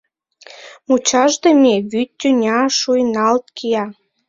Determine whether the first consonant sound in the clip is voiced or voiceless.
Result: voiced